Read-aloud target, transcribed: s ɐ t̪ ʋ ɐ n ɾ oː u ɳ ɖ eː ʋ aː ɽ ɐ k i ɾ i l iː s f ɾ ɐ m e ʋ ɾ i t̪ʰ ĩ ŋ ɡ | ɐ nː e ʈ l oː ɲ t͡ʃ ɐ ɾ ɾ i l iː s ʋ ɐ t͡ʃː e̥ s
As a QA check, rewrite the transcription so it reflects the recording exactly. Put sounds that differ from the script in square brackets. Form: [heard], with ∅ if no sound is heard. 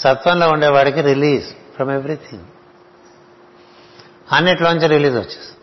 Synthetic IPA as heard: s ɐ t̪ ʋ ɐ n [l] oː u ɳ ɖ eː ʋ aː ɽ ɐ k i ɾ i l iː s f ɾ ɐ m e ʋ ɾ i t̪ʰ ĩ ŋ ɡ | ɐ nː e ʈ l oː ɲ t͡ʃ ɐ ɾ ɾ i l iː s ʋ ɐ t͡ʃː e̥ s